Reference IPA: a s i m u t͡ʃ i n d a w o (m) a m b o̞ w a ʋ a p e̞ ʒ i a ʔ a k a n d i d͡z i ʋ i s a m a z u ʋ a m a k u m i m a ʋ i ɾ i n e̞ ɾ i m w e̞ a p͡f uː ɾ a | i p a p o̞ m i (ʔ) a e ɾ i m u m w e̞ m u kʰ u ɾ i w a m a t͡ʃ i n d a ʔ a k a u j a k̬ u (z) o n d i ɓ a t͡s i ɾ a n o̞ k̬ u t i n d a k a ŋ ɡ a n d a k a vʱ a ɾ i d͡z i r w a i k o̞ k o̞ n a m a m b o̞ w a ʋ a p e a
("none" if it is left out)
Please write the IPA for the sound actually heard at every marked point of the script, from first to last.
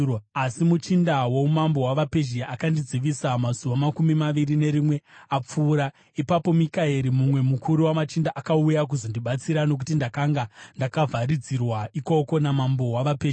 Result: m, k, z

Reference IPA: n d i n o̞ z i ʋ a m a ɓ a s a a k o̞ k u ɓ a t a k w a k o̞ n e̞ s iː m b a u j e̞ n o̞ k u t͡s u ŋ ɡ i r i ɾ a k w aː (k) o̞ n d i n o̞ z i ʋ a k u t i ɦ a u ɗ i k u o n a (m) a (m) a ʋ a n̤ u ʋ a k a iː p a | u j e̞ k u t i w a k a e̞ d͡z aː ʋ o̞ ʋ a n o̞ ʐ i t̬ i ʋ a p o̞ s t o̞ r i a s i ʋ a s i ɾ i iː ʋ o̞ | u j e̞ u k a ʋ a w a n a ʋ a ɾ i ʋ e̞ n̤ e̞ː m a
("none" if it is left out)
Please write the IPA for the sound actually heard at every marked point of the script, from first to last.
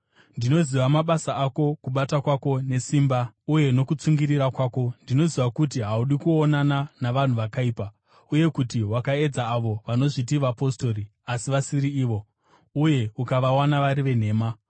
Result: k, n, n

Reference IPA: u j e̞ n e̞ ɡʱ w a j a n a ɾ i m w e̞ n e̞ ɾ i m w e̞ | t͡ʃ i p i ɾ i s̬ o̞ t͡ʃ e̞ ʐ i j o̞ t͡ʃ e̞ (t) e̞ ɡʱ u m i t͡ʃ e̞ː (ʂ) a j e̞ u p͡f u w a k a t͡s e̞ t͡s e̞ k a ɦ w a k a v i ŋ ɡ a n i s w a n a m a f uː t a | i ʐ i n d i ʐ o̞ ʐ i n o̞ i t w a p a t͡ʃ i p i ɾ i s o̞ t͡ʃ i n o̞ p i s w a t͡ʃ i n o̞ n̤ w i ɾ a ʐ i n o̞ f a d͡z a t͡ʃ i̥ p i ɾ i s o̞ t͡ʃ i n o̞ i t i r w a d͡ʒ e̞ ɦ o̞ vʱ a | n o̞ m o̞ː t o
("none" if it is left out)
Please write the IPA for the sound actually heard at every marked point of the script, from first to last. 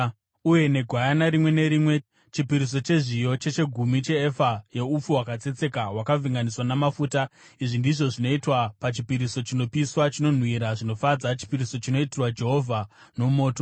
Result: t͡ʃ, f

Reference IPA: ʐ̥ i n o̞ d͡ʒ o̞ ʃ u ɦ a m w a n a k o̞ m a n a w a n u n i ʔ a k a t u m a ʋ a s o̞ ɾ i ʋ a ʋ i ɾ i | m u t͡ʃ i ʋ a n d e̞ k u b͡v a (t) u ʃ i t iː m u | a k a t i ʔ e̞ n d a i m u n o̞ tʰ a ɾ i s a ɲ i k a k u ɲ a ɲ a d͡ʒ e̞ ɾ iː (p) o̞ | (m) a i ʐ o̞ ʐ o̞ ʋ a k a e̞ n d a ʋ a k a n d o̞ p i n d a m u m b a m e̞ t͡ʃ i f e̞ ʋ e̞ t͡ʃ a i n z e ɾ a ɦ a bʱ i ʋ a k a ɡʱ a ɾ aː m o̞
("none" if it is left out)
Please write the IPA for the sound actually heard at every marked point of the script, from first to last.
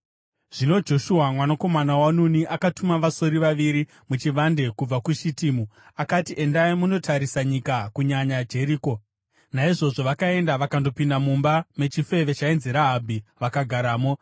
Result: k, k, n

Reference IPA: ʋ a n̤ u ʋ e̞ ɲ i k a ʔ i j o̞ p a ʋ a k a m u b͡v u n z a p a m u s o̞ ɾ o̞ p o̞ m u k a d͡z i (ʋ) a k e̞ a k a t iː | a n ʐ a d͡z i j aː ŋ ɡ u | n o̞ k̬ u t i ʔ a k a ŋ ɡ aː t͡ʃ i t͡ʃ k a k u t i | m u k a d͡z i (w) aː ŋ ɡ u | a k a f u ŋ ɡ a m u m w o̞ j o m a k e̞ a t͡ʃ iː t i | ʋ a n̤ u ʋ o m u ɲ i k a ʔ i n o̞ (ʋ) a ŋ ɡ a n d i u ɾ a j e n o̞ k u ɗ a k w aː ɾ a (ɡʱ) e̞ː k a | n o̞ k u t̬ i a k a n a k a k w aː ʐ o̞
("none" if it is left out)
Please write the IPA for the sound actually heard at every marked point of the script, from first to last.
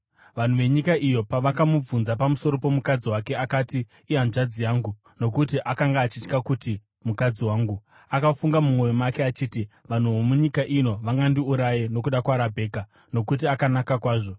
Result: w, w, ʋ, bʱ

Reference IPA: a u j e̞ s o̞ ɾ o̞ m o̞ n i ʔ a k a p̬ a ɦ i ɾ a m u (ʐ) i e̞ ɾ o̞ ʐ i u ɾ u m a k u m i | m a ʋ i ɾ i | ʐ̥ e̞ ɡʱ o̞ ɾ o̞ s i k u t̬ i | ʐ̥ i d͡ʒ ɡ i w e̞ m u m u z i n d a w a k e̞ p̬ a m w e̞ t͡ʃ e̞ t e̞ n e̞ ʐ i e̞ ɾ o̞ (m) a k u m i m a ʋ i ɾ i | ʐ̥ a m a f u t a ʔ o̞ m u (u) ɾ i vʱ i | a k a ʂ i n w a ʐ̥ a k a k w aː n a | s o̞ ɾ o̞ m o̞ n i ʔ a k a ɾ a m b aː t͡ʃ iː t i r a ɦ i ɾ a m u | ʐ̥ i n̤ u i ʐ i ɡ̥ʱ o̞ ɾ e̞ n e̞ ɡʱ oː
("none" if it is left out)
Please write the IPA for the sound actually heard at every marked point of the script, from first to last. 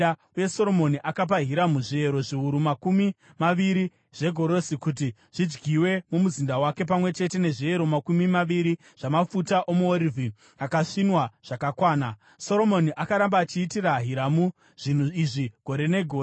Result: ʐ, m, o

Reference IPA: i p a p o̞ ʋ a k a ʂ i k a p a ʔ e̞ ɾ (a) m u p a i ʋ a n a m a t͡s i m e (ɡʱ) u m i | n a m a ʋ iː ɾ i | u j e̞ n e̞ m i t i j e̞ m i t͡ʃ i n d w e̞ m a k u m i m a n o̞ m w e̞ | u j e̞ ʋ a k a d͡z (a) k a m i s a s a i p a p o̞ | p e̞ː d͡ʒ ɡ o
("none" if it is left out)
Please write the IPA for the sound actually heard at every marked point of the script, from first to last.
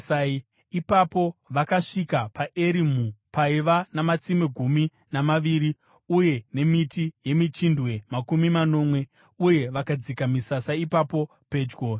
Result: i, ɡʱ, i

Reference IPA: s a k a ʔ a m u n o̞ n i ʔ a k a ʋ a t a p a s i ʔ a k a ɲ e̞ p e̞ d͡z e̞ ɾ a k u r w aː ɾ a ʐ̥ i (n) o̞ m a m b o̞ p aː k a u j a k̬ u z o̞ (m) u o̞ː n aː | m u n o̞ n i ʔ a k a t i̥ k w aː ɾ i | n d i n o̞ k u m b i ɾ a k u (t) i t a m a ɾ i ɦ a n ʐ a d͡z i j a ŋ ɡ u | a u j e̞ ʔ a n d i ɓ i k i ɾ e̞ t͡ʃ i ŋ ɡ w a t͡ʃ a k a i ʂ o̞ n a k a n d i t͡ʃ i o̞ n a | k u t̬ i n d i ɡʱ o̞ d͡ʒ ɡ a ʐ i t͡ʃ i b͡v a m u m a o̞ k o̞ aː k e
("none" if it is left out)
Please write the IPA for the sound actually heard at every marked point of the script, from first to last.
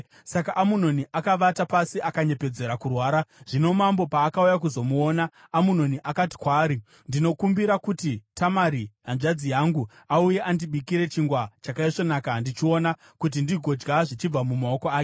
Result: n, m, t

